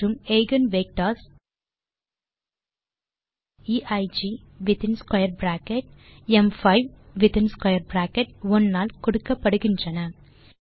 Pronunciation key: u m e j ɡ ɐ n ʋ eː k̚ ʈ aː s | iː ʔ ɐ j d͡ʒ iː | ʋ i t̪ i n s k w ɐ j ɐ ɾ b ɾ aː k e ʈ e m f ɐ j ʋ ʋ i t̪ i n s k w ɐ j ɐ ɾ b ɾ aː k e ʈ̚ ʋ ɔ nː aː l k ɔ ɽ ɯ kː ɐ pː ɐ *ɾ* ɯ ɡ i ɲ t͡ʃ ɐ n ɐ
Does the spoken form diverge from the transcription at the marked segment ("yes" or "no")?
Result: yes